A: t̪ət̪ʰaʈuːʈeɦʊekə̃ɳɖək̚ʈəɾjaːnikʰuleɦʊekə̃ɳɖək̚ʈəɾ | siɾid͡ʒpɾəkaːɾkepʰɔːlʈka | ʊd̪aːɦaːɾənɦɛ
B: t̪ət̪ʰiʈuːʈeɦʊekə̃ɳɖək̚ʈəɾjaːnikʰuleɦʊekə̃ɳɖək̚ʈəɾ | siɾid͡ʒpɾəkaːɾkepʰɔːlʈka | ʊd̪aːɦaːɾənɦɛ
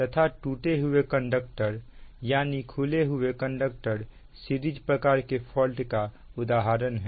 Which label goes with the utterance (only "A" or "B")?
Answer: A